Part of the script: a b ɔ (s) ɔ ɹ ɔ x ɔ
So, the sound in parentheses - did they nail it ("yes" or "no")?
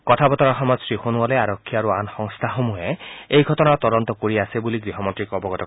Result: no